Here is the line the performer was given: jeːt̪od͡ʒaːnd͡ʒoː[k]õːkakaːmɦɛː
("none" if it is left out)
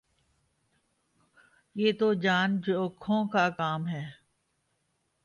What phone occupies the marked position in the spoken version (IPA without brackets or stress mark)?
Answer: kʰ